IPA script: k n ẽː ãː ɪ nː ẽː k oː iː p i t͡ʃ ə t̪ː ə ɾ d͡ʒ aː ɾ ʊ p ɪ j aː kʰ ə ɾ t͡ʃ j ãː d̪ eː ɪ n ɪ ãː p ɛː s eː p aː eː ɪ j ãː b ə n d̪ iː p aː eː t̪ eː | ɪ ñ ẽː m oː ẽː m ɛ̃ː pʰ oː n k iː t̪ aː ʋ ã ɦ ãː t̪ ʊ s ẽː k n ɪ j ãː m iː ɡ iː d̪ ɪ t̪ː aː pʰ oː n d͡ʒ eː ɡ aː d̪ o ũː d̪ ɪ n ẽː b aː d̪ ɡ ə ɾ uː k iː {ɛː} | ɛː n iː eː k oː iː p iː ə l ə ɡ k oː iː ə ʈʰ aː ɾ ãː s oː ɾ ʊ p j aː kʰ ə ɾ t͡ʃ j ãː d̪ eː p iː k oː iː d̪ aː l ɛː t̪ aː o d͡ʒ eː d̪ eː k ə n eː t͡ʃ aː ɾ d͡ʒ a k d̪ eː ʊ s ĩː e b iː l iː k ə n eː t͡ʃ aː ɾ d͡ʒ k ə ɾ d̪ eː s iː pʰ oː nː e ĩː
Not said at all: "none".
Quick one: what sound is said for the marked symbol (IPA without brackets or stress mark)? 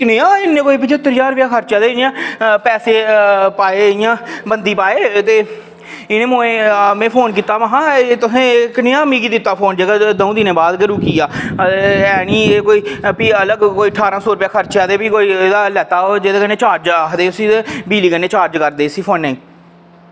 aː